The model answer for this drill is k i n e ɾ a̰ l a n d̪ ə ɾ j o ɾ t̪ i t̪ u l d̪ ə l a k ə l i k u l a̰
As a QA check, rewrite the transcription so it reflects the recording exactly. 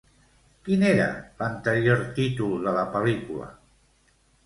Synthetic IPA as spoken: k i n e ɾ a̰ l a n t̪ ə ɾ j o ɾ t̪ i t̪ u l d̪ ə l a p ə l i k u l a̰